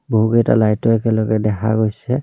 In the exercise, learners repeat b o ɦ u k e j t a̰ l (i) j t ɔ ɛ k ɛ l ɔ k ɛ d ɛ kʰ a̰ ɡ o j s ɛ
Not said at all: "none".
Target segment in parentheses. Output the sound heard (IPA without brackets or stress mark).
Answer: a